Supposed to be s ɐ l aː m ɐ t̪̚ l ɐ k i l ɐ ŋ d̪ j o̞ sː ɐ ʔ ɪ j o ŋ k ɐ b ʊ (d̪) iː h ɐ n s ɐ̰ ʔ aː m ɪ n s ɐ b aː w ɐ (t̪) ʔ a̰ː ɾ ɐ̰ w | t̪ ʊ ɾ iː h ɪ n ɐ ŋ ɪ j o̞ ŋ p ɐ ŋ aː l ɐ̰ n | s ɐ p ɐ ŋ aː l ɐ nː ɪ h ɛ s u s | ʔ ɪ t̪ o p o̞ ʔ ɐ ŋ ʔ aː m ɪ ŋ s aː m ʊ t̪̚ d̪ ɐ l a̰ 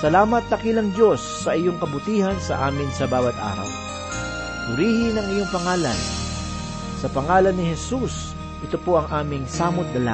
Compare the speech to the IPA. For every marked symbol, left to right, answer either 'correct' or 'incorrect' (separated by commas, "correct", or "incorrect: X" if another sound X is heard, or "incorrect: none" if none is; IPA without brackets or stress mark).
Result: incorrect: t̪, correct